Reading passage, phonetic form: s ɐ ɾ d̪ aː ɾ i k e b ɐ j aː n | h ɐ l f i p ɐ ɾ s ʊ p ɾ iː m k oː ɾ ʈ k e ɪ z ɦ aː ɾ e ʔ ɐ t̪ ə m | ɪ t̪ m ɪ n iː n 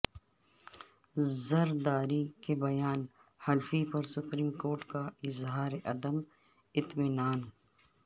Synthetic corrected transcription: z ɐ ɾ d̪ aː ɾ i k e b ɐ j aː n | h ɐ l f i p ɐ ɾ s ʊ p ɾ iː m k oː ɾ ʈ k a ɪ z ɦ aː ɾ e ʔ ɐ d̪ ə m | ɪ t̪ m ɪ n aː n